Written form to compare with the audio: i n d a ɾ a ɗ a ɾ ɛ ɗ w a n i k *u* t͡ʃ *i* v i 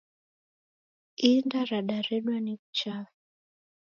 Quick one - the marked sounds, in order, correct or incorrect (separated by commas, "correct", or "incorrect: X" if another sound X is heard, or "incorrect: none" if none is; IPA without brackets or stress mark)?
correct, incorrect: a